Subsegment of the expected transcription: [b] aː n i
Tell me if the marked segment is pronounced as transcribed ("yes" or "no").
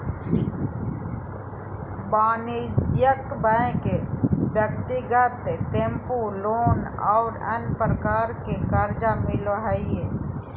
yes